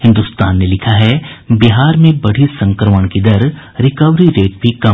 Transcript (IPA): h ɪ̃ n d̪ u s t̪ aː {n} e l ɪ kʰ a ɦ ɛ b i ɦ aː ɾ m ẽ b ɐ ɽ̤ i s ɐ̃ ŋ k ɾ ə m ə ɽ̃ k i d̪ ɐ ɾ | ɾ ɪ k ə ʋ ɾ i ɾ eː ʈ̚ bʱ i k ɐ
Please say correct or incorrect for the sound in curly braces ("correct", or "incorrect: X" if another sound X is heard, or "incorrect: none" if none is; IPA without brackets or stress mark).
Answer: incorrect: nː